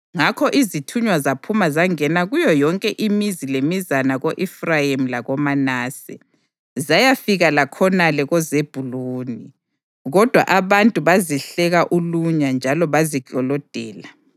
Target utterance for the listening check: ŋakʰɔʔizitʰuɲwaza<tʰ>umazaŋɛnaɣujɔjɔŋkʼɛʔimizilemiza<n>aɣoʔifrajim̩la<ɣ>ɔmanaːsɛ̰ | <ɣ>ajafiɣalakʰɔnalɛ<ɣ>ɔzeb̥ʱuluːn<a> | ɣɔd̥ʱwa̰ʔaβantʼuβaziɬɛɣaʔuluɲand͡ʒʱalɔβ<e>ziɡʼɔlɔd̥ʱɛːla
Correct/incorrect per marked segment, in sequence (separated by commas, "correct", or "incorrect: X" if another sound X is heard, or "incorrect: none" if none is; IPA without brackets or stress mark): incorrect: pʰ, correct, correct, incorrect: z, correct, incorrect: i, incorrect: a